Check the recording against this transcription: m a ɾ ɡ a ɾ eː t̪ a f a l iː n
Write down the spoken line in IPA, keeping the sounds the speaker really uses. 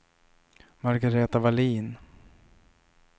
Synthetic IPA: m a ɾ ɡ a ɾ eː t̪ a v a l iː n